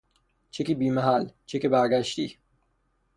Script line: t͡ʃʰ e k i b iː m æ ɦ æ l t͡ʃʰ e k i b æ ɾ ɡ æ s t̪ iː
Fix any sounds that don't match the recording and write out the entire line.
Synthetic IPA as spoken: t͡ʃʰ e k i b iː m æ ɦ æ l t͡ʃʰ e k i b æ ɾ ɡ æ ʃ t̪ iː